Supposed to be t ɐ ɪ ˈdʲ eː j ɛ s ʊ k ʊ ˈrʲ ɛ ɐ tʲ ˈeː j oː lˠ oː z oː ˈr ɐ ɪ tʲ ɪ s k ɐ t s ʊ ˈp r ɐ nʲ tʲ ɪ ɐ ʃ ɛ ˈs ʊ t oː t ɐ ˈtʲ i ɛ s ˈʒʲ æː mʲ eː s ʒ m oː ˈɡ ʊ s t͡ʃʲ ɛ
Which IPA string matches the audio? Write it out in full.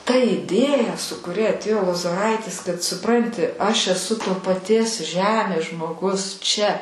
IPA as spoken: t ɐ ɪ ˈdʲ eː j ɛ s ʊ k ʊ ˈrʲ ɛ ɐ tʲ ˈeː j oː lˠ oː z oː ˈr ɐ ɪ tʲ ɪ s k ɐ t s ʊ ˈp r ɐ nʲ tʲ ɪ ɐ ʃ ɛ ˈs ʊ t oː p ɐ ˈtʲ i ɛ s ˈʒʲ æː mʲ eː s ʒ m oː ˈɡ ʊ s t͡ʃʲ ɛ